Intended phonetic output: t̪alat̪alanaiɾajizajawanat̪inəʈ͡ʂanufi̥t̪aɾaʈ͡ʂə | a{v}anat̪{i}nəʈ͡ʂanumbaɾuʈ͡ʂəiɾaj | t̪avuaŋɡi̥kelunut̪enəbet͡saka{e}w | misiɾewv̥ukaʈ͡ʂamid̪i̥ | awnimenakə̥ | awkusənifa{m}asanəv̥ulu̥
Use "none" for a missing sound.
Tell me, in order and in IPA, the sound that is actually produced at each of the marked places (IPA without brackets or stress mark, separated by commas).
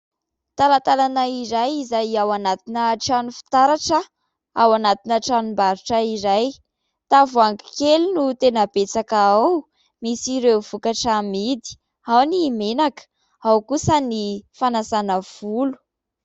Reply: w, i, a, n